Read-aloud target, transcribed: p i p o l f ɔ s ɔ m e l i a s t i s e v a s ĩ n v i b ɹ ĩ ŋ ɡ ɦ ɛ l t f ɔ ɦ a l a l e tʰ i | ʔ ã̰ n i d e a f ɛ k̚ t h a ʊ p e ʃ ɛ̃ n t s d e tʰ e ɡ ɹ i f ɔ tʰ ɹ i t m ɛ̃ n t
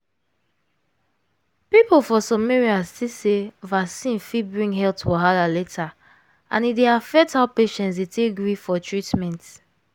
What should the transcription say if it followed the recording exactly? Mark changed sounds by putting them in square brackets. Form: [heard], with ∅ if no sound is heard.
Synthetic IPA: p i p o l f ɔ s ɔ m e [ɹ] i a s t i s e v a s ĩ n [f] i b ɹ ĩ ŋ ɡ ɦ ɛ l t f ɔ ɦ a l a l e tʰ [a] | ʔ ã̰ n i d e a f ɛ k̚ t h a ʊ p e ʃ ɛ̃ n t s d e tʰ e ɡ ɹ i f ɔ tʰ ɹ i t m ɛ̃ n t